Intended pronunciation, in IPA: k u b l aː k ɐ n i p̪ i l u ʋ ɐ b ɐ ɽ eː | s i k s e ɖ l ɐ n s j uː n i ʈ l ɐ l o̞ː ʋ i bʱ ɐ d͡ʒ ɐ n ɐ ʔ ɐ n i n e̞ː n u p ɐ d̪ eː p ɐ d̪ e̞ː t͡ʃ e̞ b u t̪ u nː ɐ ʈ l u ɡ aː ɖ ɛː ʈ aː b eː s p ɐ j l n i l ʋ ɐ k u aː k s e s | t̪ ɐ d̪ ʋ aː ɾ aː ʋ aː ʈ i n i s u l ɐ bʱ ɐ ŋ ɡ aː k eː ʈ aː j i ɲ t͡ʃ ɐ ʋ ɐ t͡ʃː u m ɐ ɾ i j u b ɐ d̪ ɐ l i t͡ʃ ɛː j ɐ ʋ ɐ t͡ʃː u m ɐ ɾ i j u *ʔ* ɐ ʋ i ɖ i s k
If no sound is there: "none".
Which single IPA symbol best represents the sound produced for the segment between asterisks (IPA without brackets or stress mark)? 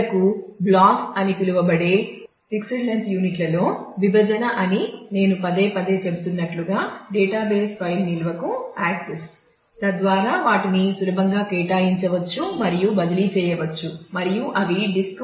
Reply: ʔ